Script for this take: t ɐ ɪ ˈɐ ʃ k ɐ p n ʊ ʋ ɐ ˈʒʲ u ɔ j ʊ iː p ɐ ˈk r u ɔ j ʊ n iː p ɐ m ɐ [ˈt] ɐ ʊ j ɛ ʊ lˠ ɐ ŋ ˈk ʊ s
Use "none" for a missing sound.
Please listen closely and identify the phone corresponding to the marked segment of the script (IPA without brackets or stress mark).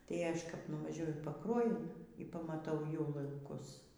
t